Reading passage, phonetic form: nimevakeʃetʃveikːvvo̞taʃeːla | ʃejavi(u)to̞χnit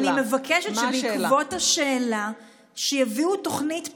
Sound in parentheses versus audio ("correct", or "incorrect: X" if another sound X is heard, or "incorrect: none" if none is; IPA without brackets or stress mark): correct